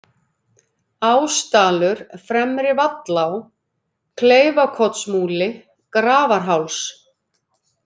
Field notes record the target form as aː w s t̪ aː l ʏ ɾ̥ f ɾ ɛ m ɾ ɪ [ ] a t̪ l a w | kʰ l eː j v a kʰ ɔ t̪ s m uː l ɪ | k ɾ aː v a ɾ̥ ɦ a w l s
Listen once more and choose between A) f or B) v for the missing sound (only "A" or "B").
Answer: B